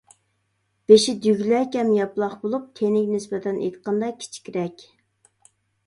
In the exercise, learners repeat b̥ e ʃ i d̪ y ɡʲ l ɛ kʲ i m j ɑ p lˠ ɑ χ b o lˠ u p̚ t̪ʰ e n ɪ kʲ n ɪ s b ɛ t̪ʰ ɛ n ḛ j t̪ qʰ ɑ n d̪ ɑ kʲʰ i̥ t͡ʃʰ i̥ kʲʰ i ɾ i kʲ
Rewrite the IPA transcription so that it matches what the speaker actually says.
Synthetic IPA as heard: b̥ e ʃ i d̪ y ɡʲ l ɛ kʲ ɛ m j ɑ p lˠ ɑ χ b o lˠ u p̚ t̪ʰ e n ɪ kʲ n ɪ s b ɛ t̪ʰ ɛ n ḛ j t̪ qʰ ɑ n d̪ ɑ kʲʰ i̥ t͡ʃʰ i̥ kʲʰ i ɾ ɛ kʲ